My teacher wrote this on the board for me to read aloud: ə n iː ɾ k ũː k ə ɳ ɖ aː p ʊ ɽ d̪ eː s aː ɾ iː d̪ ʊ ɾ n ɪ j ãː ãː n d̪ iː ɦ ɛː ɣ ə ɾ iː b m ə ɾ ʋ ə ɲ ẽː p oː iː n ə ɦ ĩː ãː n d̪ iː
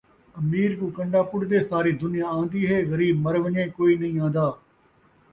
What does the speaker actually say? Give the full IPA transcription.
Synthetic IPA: ə m iː ɾ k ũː k ə ɳ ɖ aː p ʊ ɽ d̪ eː s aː ɾ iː d̪ ʊ n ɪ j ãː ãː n d̪ iː ɦ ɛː ɣ ə ɾ iː b m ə ɾ ʋ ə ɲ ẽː k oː iː n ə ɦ ĩː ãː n d̪ aː